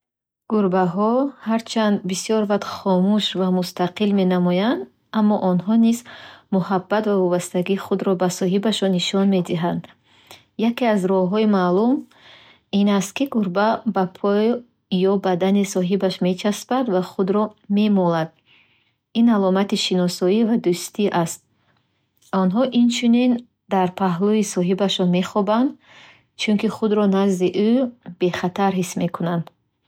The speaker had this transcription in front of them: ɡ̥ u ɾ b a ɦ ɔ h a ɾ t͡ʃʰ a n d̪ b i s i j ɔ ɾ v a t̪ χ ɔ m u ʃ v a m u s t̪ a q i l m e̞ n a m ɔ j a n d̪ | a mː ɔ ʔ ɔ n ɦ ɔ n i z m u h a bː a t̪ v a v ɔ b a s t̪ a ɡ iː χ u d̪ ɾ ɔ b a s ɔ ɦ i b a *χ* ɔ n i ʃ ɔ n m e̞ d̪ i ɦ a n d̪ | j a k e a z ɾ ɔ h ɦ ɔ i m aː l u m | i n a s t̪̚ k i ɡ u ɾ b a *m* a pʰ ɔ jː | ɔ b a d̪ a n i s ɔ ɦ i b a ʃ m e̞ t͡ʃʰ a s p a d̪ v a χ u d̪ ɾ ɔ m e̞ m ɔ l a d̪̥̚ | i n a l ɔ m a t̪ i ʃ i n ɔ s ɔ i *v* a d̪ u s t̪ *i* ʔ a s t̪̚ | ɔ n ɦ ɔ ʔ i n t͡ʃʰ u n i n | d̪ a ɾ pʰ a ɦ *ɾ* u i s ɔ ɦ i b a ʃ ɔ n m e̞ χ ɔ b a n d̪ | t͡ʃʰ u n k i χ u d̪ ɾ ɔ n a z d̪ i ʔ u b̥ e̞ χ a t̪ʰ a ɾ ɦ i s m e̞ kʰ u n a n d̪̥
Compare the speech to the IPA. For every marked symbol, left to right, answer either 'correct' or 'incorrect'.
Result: incorrect, incorrect, correct, correct, incorrect

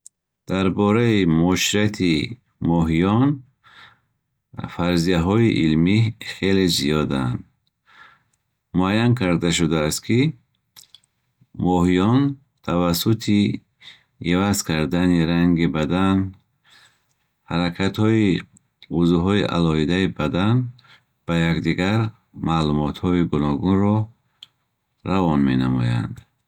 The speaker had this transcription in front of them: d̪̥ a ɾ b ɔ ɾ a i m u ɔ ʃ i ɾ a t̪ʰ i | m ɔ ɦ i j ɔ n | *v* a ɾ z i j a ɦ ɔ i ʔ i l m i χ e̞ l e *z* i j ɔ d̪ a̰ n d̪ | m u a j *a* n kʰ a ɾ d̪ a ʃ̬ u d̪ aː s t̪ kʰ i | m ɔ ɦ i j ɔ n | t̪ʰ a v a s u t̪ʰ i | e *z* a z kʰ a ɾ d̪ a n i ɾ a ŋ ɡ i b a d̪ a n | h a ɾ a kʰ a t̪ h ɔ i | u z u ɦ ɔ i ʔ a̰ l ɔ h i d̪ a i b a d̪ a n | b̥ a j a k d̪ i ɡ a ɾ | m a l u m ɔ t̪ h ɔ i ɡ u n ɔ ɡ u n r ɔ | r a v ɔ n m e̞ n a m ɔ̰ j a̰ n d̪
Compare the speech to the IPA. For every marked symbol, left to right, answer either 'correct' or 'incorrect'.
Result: incorrect, correct, correct, incorrect

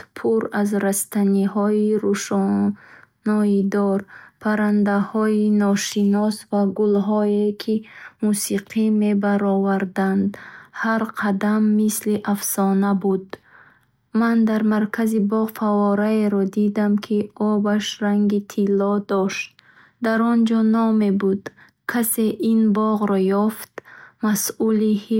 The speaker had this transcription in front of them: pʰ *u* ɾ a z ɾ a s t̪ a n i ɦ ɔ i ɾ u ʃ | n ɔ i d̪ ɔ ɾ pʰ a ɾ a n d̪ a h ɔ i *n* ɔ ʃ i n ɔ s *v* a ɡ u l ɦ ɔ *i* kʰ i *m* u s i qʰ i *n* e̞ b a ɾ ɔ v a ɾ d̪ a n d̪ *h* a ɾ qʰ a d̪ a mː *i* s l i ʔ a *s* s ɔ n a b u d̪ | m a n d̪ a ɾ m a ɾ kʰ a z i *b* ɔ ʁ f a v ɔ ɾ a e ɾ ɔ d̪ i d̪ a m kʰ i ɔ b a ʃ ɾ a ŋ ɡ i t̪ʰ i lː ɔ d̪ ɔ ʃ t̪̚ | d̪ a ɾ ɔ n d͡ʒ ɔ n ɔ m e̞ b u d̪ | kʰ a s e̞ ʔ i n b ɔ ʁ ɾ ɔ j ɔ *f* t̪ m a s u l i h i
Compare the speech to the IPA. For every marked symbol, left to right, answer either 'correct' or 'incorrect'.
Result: correct, correct, correct, incorrect, correct, incorrect, correct, correct, incorrect, correct, correct

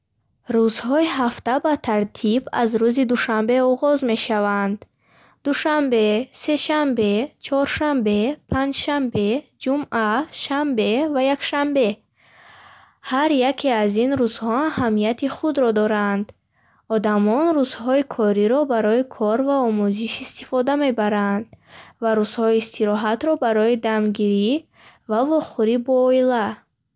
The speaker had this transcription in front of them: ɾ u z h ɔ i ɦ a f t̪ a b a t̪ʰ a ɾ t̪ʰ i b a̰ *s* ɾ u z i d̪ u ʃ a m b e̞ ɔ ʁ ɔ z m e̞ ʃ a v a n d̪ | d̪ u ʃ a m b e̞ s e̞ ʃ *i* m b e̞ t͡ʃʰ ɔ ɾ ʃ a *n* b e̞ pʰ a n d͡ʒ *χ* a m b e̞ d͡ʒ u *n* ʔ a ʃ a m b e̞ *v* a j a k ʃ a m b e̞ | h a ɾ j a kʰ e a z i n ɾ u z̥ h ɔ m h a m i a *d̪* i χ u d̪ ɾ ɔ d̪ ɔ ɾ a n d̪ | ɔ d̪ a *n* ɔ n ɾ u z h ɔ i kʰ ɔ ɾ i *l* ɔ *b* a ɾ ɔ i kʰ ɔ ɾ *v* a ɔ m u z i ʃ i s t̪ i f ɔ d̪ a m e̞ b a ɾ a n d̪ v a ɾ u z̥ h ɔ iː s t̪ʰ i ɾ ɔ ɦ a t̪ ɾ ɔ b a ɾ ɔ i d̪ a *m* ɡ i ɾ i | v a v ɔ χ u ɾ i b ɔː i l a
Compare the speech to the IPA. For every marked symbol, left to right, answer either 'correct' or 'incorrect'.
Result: incorrect, incorrect, incorrect, incorrect, incorrect, correct, incorrect, incorrect, incorrect, correct, correct, correct

